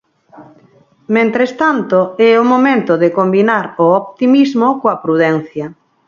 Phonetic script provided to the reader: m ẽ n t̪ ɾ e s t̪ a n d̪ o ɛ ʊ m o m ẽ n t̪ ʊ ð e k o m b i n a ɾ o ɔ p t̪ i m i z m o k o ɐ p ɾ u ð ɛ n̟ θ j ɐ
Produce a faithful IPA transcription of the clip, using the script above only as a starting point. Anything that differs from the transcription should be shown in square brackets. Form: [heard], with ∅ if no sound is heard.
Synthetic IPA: m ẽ n t̪ ɾ e s t̪ a n [t̪] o ɛ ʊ m o m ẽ n t̪ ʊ ð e k o m b i n a ɾ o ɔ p t̪ i m i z m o k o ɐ p ɾ u ð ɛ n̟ θ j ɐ